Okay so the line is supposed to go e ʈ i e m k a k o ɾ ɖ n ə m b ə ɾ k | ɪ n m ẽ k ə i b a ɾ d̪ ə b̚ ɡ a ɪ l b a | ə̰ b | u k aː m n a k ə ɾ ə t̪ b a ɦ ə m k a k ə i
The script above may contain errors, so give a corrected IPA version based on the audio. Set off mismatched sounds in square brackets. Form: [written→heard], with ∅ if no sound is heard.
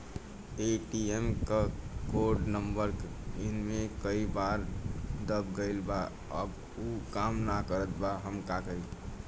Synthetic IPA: e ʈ i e m k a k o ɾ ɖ n ə m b ə ɾ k | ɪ n m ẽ k ə i b a ɾ d̪ ə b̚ ɡ [a→ə] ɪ l b a | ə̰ b | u k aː m n a k ə ɾ ə t̪ b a ɦ ə m k a k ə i